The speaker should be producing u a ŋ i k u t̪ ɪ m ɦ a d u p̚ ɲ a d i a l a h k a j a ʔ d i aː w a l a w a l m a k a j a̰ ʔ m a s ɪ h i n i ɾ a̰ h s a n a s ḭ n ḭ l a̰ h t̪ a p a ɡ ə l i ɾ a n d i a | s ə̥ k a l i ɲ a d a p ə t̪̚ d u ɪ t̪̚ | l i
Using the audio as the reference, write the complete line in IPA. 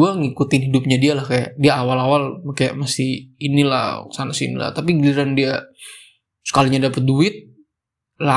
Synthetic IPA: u a ŋ i k u t̪ ɪ n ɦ i d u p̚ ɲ a d i a l a h k a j a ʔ d i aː w a l a w a l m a k a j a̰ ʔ m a s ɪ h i n i l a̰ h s a n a s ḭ n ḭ l a̰ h t̪ a p i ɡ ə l i ɾ a n d i a | s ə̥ k a l i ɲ a d a p ə t̪̚ d u ɪ t̪̚ | l a